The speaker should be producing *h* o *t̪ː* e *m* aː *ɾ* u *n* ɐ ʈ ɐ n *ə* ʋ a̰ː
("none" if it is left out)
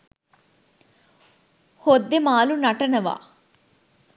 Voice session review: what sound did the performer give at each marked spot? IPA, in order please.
h, d̪ː, m, l, n, ɐ

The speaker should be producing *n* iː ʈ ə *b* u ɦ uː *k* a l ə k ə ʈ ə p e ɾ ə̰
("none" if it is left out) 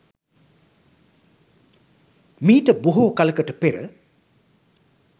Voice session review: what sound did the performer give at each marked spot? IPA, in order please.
m, b, k

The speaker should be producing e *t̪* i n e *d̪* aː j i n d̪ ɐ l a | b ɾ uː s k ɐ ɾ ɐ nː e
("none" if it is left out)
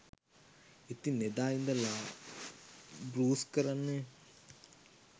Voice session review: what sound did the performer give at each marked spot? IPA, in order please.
t̪, d̪

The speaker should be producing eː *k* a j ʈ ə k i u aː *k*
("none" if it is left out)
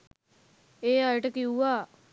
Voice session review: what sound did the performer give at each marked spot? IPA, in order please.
none, none

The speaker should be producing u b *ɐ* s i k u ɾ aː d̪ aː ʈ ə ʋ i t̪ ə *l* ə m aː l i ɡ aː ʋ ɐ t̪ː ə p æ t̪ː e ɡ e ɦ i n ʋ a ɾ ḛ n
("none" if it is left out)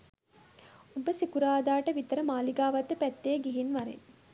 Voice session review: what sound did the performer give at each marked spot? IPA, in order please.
ə, ɾ

